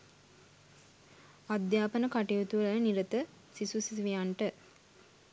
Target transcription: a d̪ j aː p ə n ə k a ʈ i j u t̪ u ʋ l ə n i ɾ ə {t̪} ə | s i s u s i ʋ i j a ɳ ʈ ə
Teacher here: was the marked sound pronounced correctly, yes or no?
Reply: yes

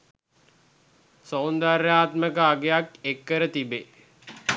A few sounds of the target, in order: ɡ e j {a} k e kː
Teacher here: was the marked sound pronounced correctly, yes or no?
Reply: yes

